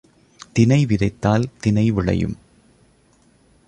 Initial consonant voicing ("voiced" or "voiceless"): voiceless